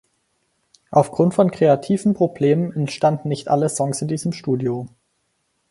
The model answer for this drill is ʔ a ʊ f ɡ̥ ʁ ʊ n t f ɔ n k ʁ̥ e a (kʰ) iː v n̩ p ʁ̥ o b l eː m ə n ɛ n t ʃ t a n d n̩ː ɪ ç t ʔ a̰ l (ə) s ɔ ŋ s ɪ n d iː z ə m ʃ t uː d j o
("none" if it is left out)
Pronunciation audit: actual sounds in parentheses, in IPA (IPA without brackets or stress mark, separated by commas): tʰ, ə